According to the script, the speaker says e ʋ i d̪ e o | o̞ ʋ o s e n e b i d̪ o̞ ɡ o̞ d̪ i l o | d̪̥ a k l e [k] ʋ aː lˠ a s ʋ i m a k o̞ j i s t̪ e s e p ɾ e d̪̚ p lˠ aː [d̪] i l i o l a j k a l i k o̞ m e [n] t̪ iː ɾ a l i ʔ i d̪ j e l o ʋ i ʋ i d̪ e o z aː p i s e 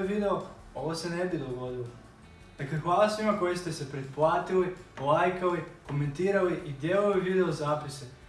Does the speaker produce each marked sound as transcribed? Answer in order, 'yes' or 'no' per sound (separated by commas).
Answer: no, no, yes